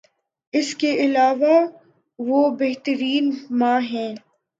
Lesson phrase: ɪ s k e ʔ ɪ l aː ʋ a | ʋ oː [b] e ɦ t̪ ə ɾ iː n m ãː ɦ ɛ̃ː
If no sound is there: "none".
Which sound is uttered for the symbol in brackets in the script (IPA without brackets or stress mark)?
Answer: b